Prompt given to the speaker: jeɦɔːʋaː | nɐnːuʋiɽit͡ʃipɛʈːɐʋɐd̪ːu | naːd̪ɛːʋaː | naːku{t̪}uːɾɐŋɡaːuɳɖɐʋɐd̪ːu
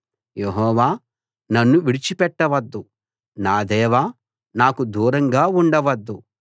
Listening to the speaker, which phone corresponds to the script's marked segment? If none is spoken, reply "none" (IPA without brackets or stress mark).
d̪